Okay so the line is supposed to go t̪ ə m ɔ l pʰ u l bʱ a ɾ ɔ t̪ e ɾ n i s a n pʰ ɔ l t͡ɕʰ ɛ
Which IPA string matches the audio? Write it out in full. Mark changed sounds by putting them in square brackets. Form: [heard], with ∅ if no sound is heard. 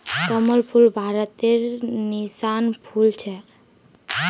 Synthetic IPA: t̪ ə m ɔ l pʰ u l bʱ a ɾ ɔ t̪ e ɾ n i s a n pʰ [u] l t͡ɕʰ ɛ